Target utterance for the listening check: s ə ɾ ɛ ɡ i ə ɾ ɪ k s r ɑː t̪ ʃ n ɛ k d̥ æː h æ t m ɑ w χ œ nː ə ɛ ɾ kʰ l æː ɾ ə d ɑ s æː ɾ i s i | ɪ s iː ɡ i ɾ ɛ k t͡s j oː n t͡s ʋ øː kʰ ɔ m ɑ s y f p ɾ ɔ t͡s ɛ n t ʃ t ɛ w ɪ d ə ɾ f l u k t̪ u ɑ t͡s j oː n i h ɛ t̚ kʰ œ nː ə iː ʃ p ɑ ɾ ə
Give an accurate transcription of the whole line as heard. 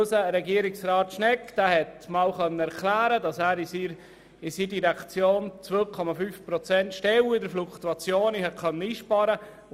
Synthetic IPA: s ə ɾ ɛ ɡ i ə ɾ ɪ k s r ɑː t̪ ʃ n ɛ k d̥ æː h ɛ t m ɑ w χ œ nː ə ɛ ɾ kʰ l æː ɾ ə d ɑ s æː ɾ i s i | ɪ s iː d i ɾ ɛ k t͡s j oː n t͡s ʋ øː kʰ ɔ m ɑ f y f p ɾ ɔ t͡s ɛ n t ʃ t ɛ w ɪ d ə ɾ f l u k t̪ u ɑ t͡s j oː n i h ɛ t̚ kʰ œ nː ə iː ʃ p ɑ ɾ ə